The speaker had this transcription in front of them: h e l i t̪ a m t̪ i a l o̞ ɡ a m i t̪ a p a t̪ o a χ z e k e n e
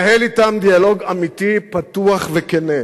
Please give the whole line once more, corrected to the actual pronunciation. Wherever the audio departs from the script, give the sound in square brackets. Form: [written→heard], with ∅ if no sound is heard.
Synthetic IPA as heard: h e l i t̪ a m [t̪→d̪] i a l o̞ ɡ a m i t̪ [a→i] p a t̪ [o→u] a χ [z→v] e k e n e